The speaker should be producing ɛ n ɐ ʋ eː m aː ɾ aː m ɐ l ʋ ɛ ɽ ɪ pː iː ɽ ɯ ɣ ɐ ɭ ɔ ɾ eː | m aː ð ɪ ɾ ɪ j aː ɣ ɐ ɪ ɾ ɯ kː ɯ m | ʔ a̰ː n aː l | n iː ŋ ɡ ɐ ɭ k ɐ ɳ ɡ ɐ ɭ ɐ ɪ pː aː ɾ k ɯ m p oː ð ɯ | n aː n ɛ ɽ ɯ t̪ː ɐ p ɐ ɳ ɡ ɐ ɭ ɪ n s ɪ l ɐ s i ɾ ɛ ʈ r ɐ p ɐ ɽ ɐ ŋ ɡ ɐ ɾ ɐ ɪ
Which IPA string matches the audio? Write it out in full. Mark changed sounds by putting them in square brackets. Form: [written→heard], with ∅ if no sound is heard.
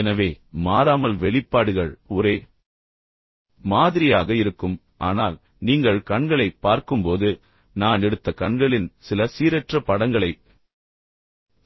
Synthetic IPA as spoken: ɛ n ɐ ʋ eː m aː ɾ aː m ɐ l ʋ ɛ [ɽ→ɭ] ɪ pː [iː→aː] ɽ ɯ ɣ ɐ ɭ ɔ ɾ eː | m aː ð ɪ ɾ ɪ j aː ɣ ɐ ɪ ɾ ɯ kː ɯ m | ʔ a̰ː n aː l | n iː ŋ ɡ ɐ ɭ k ɐ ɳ ɡ ɐ ɭ ɐ ɪ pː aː ɾ k ɯ m p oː ð ɯ | n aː n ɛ ɽ ɯ t̪ː ɐ [p→k] ɐ ɳ ɡ ɐ ɭ ɪ n s ɪ l ɐ s [i→iː] ɾ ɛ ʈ r ɐ p ɐ ɽ ɐ ŋ ɡ ɐ [ɾ→ɭ] ɐ ɪ

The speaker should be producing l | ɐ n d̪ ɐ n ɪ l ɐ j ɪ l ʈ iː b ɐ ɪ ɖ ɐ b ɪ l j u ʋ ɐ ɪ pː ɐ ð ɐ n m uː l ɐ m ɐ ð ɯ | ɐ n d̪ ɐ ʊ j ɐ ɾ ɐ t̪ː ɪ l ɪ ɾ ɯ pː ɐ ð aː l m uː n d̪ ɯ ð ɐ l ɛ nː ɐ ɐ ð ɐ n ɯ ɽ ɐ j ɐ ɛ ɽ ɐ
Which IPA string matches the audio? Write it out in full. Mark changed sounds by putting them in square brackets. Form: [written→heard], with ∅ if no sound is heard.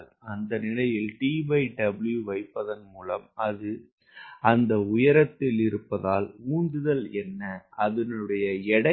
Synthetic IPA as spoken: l | ɐ n d̪ ɐ n ɪ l ɐ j ɪ l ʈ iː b ɐ ɪ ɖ ɐ b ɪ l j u ʋ ɐ ɪ pː ɐ ð ɐ n m uː l ɐ m ɐ ð ɯ | ɐ n d̪ ɐ ʊ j ɐ ɾ ɐ t̪ː ɪ l ɪ ɾ ɯ pː ɐ ð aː l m uː n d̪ ɯ ð ɐ l ɛ nː ɐ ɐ ð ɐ n ɯ ɽ ɐ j ɐ ɛ ɽ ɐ

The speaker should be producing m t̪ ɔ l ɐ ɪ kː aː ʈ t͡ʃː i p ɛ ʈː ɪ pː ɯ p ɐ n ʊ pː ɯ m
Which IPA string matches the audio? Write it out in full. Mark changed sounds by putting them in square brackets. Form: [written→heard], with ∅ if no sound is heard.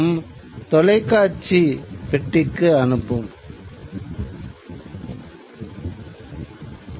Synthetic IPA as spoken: m t̪ ɔ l ɐ ɪ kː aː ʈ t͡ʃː i p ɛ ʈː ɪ [pː→kː] ɯ [p→∅] ɐ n [ʊ→ɯ] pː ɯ m

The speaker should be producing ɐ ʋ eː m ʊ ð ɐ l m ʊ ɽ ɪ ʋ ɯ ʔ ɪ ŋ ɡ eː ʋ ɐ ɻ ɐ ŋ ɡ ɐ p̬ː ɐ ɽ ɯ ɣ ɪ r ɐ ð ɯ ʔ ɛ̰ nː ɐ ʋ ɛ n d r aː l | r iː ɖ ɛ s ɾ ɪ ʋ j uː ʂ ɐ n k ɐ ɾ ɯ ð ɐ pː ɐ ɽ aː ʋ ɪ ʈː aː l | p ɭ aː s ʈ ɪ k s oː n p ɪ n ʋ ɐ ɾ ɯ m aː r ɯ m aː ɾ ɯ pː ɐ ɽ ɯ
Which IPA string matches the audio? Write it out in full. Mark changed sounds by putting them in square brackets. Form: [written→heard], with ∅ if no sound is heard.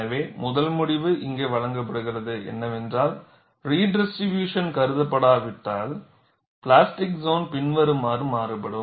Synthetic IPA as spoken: ɐ ʋ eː m ʊ ð ɐ l m ʊ ɽ ɪ ʋ ɯ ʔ ɪ ŋ ɡ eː ʋ ɐ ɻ ɐ ŋ ɡ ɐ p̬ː ɐ ɽ ɯ ɣ ɪ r ɐ ð ɯ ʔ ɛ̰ nː ɐ ʋ ɛ n d r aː l | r iː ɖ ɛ s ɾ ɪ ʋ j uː ʂ ɐ n k ɐ ɾ ɯ ð ɐ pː ɐ ɽ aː ʋ ɪ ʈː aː l | p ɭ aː s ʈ ɪ k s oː n p ɪ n ʋ ɐ ɾ ɯ m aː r ɯ m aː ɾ ɯ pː ɐ ɽ ɯ

